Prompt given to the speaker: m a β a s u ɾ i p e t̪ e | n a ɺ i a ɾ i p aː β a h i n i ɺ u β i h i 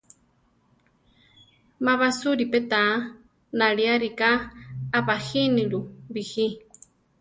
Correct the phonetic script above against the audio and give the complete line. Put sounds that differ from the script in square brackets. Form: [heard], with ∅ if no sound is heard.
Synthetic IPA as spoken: m a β a s u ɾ i p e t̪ [a] | n a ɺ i a ɾ i [k] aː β a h i n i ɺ u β i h i